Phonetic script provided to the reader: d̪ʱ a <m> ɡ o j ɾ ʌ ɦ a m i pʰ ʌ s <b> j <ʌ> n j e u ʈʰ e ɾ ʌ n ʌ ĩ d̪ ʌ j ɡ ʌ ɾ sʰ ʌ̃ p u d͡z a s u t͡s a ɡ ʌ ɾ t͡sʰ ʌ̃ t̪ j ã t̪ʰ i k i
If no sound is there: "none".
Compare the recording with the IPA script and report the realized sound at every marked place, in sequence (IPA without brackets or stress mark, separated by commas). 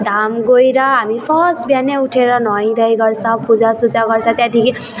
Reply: m, b, a